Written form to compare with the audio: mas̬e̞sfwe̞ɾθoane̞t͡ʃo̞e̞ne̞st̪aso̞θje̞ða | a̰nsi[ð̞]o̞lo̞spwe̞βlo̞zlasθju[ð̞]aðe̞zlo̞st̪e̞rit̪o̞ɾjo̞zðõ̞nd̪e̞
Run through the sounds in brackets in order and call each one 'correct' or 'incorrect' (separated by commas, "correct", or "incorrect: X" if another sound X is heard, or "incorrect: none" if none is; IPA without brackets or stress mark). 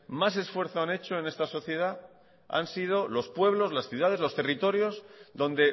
correct, correct